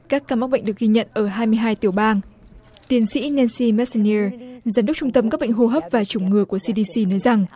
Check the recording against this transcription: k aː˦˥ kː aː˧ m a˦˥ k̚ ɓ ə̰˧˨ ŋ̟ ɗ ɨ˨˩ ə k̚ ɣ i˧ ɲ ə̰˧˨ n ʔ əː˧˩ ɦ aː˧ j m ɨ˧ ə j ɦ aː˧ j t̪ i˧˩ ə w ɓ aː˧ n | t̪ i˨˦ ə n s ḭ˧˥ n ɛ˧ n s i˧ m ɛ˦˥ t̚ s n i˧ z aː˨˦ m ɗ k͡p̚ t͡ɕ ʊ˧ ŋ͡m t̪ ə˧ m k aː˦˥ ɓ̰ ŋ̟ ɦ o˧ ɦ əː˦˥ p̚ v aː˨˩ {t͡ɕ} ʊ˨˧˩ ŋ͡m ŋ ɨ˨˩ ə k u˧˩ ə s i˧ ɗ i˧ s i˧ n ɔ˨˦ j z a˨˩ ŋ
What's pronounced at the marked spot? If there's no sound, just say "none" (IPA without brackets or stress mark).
t͡ɕ